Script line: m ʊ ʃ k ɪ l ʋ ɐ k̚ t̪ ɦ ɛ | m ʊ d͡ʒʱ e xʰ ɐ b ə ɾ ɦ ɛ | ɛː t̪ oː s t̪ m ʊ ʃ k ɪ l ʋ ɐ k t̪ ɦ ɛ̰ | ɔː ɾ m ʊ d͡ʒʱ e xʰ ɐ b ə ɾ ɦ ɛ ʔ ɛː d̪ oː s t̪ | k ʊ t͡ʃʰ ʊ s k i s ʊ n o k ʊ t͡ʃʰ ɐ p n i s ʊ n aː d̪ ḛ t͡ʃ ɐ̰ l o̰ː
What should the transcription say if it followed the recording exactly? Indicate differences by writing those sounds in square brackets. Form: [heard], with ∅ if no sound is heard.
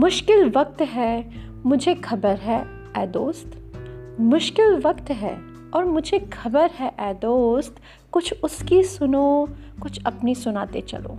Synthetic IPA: m ʊ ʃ k ɪ l ʋ ɐ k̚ t̪ ɦ ɛ | m ʊ d͡ʒʱ e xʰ ɐ b ə ɾ ɦ ɛ | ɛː [d̪] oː s t̪ m ʊ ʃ k ɪ l ʋ ɐ k t̪ ɦ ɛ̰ | ɔː ɾ m ʊ d͡ʒʱ e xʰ ɐ b ə ɾ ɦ ɛ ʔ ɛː d̪ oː s t̪ | k ʊ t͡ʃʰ ʊ s k i s ʊ n o k ʊ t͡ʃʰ ɐ p n i s ʊ n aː [t̪] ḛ t͡ʃ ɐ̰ l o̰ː